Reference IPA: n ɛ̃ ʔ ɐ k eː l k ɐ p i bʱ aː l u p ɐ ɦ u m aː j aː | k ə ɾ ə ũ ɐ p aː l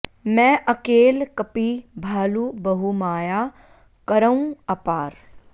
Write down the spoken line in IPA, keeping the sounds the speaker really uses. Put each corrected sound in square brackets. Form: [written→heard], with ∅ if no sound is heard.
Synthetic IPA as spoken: [n→m] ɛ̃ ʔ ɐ k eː l k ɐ p i bʱ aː l u [p→b] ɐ ɦ u m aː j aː | k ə ɾ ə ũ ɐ p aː [l→ɾ]

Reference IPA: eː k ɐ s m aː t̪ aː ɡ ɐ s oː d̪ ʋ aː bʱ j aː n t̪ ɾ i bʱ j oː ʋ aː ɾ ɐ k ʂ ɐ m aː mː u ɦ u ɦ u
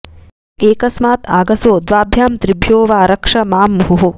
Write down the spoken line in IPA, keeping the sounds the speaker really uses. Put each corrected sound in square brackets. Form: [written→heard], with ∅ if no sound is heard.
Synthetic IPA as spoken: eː k ɐ s m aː t̪ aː ɡ ɐ s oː d̪ ʋ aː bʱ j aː [n→m] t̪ ɾ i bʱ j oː ʋ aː ɾ ɐ k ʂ ɐ m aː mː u ɦ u ɦ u

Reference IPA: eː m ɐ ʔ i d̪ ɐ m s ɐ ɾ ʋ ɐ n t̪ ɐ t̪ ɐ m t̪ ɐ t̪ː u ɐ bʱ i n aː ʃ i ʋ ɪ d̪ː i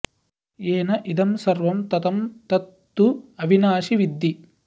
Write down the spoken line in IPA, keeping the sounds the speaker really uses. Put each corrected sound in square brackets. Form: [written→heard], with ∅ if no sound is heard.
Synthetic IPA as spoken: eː [m→n] ɐ ʔ i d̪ ɐ m s ɐ ɾ ʋ ɐ [n→m] t̪ ɐ t̪ ɐ m t̪ ɐ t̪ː u ɐ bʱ i n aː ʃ i ʋ [ɪ→i] d̪ː i

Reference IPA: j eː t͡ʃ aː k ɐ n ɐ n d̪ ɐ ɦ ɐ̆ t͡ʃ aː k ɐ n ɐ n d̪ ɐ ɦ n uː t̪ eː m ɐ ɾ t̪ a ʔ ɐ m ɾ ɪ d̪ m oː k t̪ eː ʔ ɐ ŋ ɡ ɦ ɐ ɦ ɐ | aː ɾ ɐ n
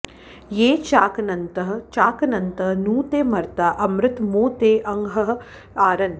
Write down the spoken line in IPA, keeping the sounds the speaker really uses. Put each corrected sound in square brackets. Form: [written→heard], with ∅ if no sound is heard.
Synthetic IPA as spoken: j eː t͡ʃ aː k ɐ n ɐ n [d̪→t̪] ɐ ɦ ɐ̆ t͡ʃ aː k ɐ n ɐ n [d̪→t̪] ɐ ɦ n uː t̪ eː m ɐ ɾ t̪ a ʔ ɐ m ɾ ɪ [d̪→t̪] m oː [k→∅] t̪ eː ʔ ɐ ŋ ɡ ɦ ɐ ɦ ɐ | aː ɾ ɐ n

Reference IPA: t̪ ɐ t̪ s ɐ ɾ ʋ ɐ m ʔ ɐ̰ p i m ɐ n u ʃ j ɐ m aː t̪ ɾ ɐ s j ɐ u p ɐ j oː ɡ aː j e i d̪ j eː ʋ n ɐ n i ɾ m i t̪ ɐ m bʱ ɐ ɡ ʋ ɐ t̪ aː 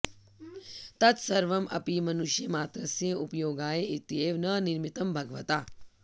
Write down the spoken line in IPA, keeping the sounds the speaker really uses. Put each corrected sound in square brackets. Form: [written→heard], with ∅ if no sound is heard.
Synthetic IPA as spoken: t̪ ɐ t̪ s ɐ ɾ ʋ ɐ m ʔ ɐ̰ p i m ɐ n u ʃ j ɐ m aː t̪ ɾ ɐ s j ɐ u p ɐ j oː ɡ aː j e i [d̪→t̪] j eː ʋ n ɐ n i ɾ m i t̪ ɐ m bʱ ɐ ɡ ʋ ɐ t̪ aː

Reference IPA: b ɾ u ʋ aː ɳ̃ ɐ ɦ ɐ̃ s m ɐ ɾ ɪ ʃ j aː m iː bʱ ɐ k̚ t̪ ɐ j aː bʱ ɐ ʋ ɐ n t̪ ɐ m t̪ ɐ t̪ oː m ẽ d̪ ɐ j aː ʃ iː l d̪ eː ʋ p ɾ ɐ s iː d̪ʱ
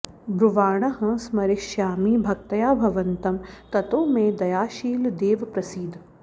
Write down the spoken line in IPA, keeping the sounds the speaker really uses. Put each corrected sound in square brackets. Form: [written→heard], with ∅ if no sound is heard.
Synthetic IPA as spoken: b ɾ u ʋ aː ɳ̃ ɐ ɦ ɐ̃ s m ɐ ɾ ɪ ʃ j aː m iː bʱ ɐ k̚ t̪ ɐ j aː bʱ ɐ ʋ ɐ n t̪ ɐ m t̪ ɐ t̪ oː m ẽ d̪ ɐ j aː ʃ iː l d̪ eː ʋ p ɾ ɐ s iː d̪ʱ

